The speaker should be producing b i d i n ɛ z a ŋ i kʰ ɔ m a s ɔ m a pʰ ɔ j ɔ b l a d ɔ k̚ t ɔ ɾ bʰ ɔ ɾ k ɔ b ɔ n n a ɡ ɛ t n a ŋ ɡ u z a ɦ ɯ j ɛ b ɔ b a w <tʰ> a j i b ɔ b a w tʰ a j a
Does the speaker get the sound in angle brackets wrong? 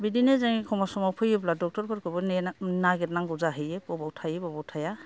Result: no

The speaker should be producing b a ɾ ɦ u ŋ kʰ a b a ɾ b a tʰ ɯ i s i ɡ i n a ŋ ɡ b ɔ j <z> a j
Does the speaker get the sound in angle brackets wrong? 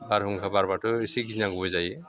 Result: no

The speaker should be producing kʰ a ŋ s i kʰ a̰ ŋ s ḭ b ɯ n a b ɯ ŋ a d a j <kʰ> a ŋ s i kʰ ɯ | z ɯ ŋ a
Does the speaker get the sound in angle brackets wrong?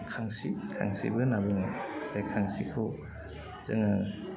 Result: no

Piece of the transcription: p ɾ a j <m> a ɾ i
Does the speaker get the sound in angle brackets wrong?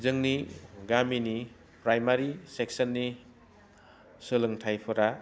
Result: no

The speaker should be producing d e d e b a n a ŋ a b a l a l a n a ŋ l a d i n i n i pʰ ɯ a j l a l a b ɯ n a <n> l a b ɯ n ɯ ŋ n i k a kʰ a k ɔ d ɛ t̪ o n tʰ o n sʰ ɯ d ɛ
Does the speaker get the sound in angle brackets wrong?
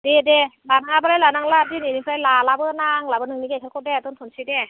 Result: yes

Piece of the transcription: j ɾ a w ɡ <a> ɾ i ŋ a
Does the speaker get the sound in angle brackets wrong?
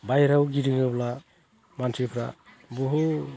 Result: yes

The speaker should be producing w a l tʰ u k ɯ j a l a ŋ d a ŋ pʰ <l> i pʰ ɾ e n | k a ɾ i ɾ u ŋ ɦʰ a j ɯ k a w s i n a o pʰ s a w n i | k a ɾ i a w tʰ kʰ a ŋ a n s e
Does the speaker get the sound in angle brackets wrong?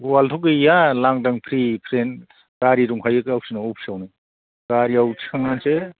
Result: yes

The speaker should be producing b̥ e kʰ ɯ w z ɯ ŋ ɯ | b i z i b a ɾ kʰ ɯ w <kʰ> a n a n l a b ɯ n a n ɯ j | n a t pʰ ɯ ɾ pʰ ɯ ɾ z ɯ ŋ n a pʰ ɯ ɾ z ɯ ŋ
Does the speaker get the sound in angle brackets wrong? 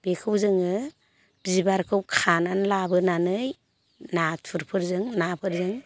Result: no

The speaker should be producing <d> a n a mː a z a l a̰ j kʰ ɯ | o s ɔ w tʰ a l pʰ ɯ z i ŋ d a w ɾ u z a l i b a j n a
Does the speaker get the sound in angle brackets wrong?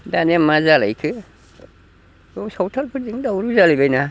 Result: no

